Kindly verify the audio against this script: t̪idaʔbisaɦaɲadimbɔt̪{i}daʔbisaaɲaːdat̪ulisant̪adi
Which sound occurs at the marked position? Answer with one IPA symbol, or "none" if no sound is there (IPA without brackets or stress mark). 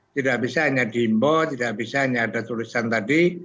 i